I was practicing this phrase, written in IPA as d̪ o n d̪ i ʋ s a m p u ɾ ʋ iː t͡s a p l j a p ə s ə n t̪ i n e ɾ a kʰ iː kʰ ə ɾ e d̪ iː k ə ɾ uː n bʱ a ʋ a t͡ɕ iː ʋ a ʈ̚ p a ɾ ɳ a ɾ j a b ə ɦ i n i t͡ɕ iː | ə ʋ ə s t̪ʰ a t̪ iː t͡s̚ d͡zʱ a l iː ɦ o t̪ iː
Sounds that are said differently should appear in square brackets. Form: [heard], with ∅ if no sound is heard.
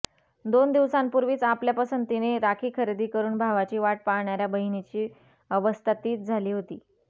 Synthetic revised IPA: d̪ o n d̪ i ʋ s a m p u ɾ ʋ iː t͡s a p l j a p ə s ə n t̪ i n e ɾ a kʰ iː kʰ ə ɾ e d̪ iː k ə ɾ uː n bʱ a ʋ a t͡ɕ iː ʋ a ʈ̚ p a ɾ ɳ a ɾ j a b ə ɦ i n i t͡ɕ iː | ə ʋ ə s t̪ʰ a t̪ iː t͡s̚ d͡zʱ a l iː ɦ o t̪ iː

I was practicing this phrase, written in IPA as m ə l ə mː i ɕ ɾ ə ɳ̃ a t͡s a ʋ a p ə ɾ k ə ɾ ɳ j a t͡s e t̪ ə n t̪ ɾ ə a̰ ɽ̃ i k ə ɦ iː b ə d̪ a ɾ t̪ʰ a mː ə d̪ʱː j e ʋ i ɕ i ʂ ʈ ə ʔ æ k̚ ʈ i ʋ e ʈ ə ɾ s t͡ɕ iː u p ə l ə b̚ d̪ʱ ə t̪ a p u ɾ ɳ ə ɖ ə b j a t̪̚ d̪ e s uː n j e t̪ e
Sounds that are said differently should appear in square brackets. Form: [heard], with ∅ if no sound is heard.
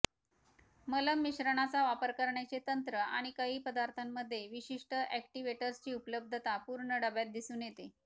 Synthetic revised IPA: m ə l ə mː i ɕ ɾ ə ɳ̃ a t͡s a ʋ a p ə ɾ k ə ɾ ɳ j a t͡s e t̪ ə n t̪ ɾ ə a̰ ɽ̃ i k ə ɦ iː [p] ə d̪ a ɾ t̪ʰ a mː ə d̪ʱː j e ʋ i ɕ i ʂ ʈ ə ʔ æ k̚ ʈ i ʋ e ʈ ə ɾ s t͡ɕ iː u p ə l ə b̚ d̪ʱ ə t̪ a p u ɾ ɳ ə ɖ ə b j a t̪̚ d̪ [i] s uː n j e t̪ e

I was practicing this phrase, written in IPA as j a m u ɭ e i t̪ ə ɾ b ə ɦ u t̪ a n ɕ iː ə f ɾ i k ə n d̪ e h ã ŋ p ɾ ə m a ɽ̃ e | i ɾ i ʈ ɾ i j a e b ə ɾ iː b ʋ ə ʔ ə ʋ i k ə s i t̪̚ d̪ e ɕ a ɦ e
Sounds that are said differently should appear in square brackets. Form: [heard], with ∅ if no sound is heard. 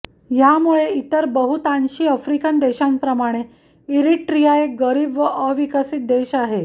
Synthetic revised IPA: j a m u ɭ e i t̪ ə ɾ b ə ɦ u t̪ a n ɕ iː ə f ɾ i k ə n d̪ e [ɕ] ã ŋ p ɾ ə m a ɽ̃ e | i ɾ i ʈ ɾ i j a e [ɡ] ə ɾ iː b ʋ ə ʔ ə ʋ i k ə s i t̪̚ d̪ e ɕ a ɦ e

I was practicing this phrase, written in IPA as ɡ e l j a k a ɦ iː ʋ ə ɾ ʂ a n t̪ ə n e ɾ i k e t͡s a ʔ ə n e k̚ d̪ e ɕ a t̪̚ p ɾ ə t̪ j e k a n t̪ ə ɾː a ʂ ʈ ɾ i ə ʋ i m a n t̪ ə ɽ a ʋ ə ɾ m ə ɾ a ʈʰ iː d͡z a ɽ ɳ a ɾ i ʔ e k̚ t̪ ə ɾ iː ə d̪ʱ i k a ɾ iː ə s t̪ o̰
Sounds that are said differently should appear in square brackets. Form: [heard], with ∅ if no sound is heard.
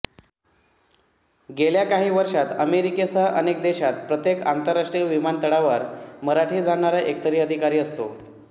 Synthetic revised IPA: ɡ e l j a k a ɦ iː ʋ ə ɾ ʂ a [∅] t̪ ə [m] e ɾ i k e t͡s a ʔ ə n e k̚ d̪ e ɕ a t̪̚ p ɾ ə t̪ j e k a n t̪ ə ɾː a ʂ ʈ ɾ i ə ʋ i m a n t̪ ə ɽ a ʋ ə ɾ m ə ɾ a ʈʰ iː d͡z a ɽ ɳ a ɾ [a] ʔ e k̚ t̪ ə ɾ iː ə d̪ʱ i k a ɾ iː ə s t̪ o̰

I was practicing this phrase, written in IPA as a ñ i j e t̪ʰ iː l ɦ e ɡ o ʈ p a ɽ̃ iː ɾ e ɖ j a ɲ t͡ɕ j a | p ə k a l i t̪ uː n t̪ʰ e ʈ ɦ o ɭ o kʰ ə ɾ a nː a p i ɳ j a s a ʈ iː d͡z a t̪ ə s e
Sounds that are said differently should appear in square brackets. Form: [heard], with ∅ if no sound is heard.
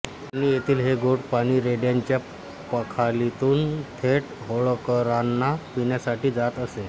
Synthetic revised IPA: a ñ i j e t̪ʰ iː l ɦ e ɡ o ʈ p a ɽ̃ iː ɾ e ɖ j a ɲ t͡ɕ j a | p ə [kʰ] a l i t̪ uː n t̪ʰ e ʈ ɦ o ɭ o [k] ə ɾ a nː a p i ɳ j a s a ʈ iː d͡z a t̪ ə s e

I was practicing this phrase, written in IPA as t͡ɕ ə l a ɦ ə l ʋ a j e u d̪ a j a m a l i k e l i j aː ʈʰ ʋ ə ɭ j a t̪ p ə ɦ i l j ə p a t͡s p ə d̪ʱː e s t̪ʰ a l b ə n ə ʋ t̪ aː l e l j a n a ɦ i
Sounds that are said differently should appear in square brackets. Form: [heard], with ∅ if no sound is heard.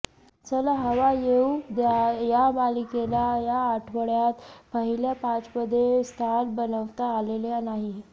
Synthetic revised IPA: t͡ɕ ə l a ɦ ə [∅] ʋ a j e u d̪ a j a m a l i k e l [a] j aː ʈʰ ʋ ə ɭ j a t̪ p ə ɦ i l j [a] p a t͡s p ə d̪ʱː e s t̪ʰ a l b ə n ə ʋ t̪ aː l e l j a n a ɦ i

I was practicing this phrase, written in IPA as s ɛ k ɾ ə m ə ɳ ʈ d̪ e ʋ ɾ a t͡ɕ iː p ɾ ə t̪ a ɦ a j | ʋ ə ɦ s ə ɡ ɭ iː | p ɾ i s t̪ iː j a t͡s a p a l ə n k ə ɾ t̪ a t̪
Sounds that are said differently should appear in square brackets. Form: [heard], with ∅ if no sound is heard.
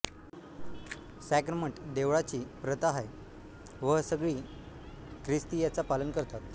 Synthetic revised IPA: s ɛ k ɾ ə m ə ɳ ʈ d̪ e ʋ [ɭ] a t͡ɕ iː p ɾ ə t̪ a ɦ a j | ʋ ə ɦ s ə ɡ ɭ iː | [k] ɾ i s t̪ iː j a t͡s a p a l ə n k ə ɾ t̪ a t̪

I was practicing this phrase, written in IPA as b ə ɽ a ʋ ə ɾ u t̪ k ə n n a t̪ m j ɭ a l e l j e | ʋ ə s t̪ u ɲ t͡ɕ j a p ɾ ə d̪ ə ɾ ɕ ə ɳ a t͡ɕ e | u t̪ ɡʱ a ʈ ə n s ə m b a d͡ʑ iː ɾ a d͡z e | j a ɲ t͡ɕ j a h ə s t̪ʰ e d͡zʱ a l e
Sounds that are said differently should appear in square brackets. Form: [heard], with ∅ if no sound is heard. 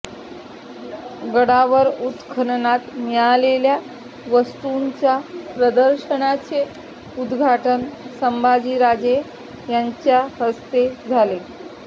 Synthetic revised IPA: [ɡ] ə ɽ a ʋ ə ɾ u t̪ [kʰ] ə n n a t̪ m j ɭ a l e l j [a] | ʋ ə s t̪ u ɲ t͡ɕ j a p ɾ ə d̪ ə ɾ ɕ ə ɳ a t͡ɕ e | u [d̪] ɡʱ a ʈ ə n s ə m b a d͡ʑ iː ɾ a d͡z e | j a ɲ t͡ɕ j a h ə s [t̪] e d͡zʱ a l e

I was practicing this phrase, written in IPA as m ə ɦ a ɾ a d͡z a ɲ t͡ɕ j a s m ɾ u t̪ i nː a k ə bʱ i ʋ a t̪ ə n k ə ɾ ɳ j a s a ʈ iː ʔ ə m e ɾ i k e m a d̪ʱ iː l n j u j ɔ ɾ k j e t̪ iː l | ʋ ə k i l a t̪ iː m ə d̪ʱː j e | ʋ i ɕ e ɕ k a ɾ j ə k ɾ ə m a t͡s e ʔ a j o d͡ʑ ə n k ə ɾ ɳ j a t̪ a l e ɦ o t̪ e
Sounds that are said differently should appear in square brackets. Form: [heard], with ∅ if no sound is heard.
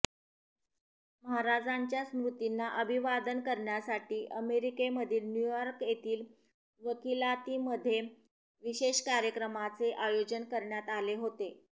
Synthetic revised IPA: m ə ɦ a ɾ a d͡z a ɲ t͡ɕ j a s m ɾ u t̪ i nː a [ʔ] ə bʱ i ʋ a [d̪] ə n k ə ɾ ɳ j a s a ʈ iː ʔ ə m e ɾ i k e m [ə] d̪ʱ iː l n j u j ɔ ɾ k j e t̪ iː l | ʋ ə k i l a t̪ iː m ə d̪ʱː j e | ʋ i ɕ e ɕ k a ɾ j ə k ɾ ə m a t͡s e ʔ a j o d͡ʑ ə n k ə ɾ ɳ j a t̪ a l e ɦ o t̪ e

